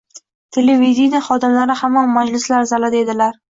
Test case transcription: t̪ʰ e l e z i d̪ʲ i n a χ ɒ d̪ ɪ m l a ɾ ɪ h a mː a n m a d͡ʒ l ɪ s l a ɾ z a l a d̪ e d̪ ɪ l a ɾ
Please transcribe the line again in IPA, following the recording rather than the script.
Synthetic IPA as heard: t̪ʰ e l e v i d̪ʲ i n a χ ɒ d̪ ɪ m l a ɾ ɪ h a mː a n m a d͡ʒ l ɪ s l a ɾ z a l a d̪ e d̪ ɪ l a ɾ